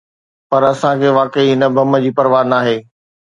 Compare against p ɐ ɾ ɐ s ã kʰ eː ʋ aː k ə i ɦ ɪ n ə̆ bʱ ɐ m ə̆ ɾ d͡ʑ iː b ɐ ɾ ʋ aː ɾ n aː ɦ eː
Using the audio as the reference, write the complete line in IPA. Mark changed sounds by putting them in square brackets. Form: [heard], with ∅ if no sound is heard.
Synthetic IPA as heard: p ɐ ɾ ɐ s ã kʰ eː ʋ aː k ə i ɦ ɪ n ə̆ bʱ ɐ m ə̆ [∅] d͡ʑ iː [p] ɐ ɾ ʋ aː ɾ n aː ɦ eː